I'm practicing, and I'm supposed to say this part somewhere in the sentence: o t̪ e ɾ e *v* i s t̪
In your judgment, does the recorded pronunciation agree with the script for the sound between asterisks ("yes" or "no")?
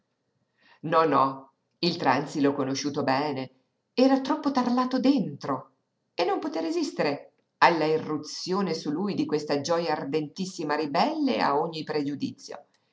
no